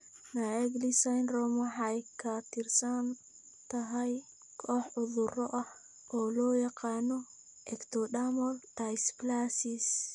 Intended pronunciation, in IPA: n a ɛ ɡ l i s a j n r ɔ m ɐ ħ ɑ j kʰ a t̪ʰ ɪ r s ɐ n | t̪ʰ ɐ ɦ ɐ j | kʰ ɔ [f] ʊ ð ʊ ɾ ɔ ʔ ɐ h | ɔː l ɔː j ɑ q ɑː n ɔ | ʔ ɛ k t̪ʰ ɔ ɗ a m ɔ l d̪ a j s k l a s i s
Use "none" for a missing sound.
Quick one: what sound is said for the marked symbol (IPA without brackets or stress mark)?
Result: ħ